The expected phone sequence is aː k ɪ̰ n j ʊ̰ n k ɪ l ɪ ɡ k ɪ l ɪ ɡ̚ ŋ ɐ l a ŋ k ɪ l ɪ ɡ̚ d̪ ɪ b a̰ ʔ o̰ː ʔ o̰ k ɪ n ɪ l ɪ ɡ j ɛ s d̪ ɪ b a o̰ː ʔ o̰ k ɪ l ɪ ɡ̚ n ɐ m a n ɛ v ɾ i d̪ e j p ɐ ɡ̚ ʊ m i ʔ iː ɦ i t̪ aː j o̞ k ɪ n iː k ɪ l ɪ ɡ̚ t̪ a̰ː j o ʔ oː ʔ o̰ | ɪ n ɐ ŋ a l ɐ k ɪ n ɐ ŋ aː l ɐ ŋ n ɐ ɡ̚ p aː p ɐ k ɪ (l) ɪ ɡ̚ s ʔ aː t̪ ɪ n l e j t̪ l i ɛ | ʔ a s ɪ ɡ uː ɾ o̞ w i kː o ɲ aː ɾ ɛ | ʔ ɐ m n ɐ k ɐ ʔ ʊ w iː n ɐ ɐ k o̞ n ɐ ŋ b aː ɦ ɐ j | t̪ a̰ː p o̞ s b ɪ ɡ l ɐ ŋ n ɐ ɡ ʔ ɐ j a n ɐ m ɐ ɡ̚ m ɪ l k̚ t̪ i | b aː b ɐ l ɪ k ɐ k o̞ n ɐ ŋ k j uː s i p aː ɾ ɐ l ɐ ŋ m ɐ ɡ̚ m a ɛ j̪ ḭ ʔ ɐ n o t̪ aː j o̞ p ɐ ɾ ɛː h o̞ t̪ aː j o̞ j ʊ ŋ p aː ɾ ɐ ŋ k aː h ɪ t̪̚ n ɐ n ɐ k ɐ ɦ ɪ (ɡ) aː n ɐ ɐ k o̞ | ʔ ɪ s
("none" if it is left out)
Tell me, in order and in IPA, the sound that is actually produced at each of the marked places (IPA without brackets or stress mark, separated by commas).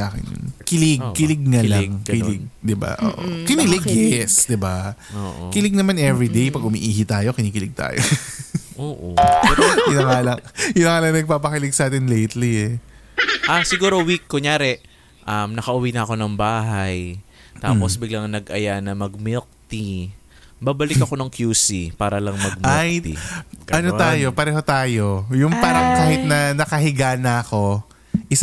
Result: l, ɡ